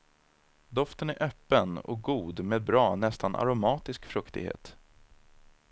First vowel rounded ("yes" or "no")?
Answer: yes